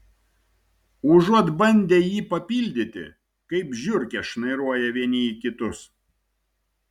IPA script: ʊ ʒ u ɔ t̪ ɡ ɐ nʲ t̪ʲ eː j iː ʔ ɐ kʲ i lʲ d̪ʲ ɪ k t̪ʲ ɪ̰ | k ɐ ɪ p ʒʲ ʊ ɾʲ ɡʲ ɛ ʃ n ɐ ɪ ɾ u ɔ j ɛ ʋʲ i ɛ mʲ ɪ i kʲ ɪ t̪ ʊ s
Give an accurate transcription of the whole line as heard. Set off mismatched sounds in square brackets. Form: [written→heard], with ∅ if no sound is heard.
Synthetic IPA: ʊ ʒ u ɔ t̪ [ɡ→b] ɐ nʲ [t̪ʲ→d̪ʲ] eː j iː [ʔ→p] ɐ [kʲ→pʲ] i lʲ d̪ʲ ɪ [k→∅] t̪ʲ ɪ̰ | k ɐ ɪ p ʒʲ ʊ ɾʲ [ɡʲ→kʲ] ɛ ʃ n ɐ ɪ ɾ u ɔ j ɛ ʋʲ i ɛ [mʲ→nʲ] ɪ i kʲ ɪ t̪ ʊ s